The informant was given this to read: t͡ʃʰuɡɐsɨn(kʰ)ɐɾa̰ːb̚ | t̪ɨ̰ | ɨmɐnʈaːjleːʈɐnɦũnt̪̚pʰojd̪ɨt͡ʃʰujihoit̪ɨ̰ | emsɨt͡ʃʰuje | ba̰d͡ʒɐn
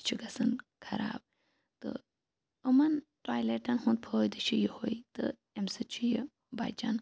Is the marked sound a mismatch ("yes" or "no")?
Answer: no